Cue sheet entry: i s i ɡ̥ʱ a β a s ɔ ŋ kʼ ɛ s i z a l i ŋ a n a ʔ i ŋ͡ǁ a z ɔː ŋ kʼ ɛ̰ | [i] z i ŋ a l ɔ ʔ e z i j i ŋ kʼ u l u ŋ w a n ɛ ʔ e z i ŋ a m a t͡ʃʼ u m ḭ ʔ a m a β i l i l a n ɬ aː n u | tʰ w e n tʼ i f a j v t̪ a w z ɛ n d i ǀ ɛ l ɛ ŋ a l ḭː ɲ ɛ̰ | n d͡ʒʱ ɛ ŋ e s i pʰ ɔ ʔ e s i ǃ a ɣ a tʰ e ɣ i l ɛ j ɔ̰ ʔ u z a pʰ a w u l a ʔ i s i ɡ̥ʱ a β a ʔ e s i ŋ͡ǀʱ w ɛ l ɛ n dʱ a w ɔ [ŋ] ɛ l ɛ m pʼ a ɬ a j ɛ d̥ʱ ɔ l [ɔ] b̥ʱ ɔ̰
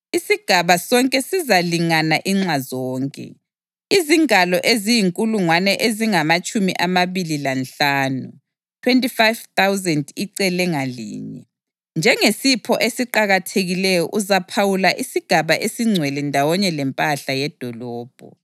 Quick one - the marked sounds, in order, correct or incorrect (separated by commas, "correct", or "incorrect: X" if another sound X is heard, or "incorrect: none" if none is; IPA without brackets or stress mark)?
correct, incorrect: ɲ, incorrect: ɔː